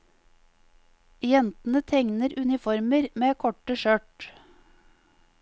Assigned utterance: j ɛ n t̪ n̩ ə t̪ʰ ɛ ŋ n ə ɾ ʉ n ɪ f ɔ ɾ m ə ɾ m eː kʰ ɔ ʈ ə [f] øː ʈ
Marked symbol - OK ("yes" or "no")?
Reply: no